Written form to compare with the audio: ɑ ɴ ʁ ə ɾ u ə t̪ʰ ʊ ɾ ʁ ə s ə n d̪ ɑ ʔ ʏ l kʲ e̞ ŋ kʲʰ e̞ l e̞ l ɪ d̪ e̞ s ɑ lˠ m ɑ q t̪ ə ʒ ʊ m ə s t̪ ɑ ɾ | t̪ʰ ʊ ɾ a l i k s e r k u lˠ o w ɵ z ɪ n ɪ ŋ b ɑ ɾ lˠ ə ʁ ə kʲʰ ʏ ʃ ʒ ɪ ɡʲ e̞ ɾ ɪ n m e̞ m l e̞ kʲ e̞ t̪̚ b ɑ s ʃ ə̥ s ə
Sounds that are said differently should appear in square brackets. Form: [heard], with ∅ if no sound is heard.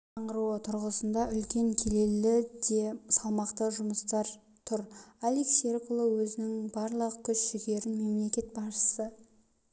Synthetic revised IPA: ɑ ɴ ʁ ə ɾ u ə t̪ʰ ʊ ɾ ʁ ə s ə n d̪ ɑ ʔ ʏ l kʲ e̞ ŋ kʲʰ e̞ l e̞ l ɪ d̪ e̞ s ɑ lˠ m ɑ q t̪ ə ʒ ʊ m ə s t̪ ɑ ɾ | t̪ʰ ʊ ɾ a l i k s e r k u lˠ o w ɵ z ɪ n ɪ ŋ b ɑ ɾ lˠ ə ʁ ə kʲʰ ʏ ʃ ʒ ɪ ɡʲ e̞ ɾ ɪ n m e̞ m l e̞ kʲ e̞ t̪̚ b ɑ s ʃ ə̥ s ə